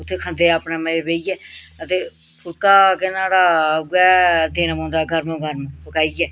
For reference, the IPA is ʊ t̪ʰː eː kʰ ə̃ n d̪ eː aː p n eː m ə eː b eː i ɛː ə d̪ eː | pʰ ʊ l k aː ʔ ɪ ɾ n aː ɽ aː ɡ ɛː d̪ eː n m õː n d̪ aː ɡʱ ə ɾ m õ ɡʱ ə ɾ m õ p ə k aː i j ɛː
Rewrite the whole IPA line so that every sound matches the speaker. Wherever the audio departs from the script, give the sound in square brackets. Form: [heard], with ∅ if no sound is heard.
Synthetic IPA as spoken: ʊ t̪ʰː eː kʰ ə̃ n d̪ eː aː p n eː m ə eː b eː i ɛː ə [t̪] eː | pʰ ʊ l k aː [k] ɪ [∅] n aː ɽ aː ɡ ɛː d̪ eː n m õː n d̪ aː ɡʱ ə ɾ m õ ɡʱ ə ɾ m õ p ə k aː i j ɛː